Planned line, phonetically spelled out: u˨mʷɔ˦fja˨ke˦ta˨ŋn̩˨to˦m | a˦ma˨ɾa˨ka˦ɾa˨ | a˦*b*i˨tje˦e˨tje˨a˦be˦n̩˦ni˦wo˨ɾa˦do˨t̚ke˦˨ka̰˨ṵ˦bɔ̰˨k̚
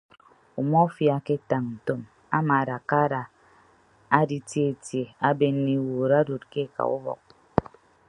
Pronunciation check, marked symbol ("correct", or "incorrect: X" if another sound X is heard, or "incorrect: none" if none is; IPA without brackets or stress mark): incorrect: d